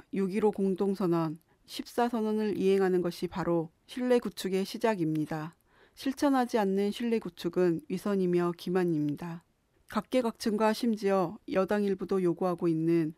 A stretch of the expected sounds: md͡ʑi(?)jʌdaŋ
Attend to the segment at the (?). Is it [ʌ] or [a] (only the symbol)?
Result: ʌ